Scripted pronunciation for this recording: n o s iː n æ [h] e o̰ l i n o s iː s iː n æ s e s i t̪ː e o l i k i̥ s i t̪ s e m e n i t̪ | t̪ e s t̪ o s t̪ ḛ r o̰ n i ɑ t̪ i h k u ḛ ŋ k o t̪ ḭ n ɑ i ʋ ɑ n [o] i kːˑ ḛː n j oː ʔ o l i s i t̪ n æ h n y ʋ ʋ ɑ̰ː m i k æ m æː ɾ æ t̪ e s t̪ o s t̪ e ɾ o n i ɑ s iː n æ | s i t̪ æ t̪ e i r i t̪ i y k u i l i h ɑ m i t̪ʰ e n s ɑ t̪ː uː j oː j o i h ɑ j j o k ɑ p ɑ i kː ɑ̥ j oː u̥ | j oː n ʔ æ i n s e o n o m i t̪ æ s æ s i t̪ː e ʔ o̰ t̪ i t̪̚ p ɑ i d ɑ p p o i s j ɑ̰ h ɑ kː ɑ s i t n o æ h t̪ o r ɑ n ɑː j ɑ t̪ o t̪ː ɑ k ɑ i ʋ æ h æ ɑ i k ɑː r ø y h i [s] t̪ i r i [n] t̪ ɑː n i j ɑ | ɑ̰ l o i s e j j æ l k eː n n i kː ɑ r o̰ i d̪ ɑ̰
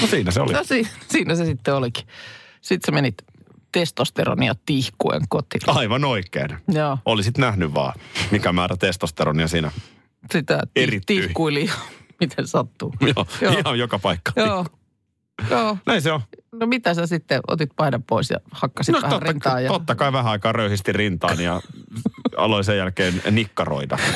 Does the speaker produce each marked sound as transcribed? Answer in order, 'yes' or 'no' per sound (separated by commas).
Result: no, yes, yes, yes